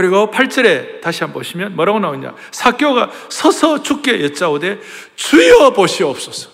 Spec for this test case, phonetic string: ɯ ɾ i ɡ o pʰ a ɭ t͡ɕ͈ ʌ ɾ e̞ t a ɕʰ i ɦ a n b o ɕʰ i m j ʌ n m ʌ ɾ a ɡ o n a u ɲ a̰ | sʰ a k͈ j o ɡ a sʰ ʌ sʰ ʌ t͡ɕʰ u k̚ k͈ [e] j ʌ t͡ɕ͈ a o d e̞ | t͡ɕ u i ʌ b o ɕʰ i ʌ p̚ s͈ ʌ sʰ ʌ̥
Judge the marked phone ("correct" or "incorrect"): correct